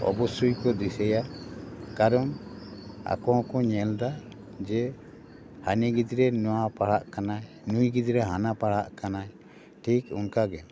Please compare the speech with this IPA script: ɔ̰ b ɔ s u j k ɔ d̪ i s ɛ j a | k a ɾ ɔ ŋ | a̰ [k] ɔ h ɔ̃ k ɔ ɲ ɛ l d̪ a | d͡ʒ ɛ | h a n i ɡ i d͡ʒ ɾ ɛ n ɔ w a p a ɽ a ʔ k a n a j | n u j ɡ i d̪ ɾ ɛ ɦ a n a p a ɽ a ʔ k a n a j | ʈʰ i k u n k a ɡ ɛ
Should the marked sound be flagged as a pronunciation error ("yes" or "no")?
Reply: no